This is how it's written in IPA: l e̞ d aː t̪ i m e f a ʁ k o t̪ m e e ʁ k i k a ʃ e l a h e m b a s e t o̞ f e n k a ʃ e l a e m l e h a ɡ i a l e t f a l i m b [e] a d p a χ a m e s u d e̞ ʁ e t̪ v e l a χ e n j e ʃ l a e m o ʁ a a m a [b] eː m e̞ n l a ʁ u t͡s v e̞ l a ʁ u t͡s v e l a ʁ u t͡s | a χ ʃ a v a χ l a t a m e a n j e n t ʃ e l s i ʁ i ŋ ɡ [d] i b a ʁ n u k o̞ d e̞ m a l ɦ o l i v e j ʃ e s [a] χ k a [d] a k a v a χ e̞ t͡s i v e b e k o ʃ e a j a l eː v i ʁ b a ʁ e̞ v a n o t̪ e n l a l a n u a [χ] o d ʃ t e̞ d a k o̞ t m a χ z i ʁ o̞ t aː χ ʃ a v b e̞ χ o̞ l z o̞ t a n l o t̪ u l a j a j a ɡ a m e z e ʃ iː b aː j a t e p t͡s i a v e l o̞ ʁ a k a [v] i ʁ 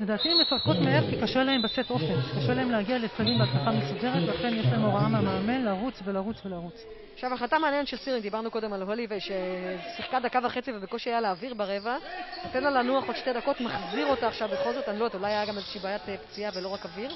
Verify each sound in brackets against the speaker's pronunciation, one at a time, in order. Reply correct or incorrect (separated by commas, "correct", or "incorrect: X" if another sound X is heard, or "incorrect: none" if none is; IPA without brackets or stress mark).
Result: correct, incorrect: m, correct, incorrect: i, correct, correct, correct